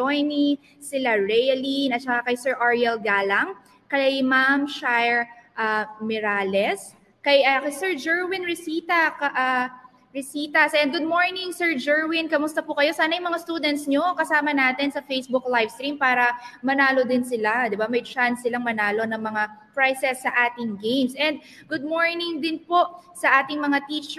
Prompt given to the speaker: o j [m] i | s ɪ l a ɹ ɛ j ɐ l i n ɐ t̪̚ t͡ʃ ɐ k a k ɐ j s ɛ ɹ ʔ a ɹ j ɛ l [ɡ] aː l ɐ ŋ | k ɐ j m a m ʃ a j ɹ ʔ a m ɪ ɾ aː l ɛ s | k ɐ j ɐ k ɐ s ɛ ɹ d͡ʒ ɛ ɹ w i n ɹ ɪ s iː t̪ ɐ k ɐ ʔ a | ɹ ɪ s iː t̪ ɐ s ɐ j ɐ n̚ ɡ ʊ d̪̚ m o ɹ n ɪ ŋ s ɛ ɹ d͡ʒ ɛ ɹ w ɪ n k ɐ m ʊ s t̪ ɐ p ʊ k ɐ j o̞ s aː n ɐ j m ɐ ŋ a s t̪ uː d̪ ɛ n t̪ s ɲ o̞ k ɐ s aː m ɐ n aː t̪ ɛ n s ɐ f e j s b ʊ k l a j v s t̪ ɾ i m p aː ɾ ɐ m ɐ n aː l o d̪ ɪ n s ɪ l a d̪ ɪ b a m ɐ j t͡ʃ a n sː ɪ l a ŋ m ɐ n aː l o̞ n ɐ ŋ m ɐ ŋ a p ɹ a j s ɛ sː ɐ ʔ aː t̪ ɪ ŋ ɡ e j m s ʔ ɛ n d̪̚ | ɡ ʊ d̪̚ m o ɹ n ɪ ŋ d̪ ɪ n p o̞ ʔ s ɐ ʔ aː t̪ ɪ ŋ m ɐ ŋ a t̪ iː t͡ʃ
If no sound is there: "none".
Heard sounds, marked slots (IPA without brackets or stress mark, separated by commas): n, ɡ